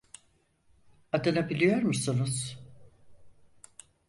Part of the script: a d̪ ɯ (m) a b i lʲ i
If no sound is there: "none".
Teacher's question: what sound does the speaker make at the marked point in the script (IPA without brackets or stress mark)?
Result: n